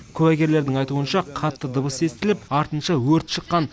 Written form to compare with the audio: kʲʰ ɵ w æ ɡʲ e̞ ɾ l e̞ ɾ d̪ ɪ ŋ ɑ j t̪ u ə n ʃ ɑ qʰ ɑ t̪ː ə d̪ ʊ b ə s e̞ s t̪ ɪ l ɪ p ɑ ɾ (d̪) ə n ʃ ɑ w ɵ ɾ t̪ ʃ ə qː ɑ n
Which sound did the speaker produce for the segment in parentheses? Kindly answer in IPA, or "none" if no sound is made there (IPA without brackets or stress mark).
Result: t̪